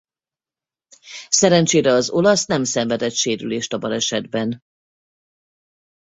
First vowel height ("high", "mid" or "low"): mid